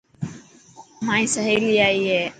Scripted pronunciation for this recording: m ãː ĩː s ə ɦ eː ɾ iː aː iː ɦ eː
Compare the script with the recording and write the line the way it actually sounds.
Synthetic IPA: m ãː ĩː s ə ɦ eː l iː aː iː ɦ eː